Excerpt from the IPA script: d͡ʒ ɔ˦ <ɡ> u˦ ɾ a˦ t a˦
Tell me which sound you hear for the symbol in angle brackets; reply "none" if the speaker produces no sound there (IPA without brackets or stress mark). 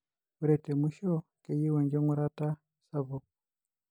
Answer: ŋ